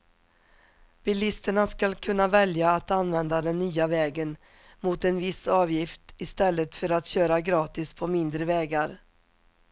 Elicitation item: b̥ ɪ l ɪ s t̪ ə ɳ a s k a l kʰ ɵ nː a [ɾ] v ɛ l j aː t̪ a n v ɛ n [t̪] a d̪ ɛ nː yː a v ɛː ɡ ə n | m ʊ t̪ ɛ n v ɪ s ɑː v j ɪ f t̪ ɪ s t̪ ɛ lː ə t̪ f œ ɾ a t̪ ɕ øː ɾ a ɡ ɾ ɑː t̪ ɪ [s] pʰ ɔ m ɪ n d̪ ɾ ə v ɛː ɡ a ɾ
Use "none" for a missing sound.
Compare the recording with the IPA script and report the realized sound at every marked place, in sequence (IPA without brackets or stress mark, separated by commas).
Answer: none, d̪, s